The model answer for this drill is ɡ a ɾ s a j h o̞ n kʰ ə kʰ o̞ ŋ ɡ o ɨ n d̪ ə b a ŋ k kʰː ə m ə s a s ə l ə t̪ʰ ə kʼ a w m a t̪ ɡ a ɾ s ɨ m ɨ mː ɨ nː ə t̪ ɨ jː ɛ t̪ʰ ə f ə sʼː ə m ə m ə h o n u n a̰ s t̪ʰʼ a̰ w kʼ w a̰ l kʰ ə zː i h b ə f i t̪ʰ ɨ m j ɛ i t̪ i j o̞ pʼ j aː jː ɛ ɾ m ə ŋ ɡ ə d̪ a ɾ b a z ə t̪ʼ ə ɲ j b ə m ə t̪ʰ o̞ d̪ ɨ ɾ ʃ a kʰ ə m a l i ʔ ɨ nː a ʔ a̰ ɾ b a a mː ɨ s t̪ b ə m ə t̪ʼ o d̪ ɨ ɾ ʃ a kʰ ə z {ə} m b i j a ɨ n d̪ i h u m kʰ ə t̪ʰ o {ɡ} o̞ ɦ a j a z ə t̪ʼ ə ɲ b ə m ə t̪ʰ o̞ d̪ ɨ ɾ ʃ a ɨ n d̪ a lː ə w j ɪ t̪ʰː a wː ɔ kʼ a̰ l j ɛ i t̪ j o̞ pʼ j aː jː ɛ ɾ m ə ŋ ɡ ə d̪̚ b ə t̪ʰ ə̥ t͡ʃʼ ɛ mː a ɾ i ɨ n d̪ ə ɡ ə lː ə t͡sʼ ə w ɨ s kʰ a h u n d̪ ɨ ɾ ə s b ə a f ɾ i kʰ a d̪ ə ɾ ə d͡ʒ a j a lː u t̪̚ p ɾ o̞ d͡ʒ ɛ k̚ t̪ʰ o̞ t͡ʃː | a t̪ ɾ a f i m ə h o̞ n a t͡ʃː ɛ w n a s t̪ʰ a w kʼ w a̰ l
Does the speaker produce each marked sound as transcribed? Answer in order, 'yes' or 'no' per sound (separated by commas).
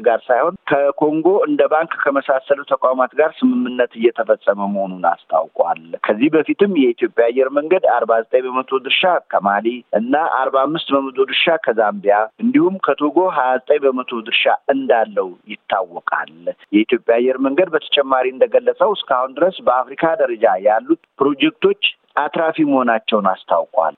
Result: no, yes